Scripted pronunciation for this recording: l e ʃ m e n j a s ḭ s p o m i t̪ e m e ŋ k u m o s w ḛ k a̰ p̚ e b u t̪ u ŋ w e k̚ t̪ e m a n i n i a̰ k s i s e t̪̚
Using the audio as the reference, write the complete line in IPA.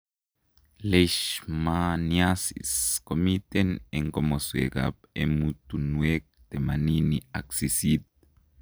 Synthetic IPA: l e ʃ m a n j a s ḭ s k o m i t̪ e n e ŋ k o m o s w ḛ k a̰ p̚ e m u t̪ u n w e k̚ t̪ e m a n i n i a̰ k s i s i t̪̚